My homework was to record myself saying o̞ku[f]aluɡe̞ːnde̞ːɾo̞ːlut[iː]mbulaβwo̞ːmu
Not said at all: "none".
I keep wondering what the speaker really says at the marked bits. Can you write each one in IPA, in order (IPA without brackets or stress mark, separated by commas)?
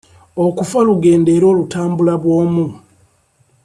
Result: f, aː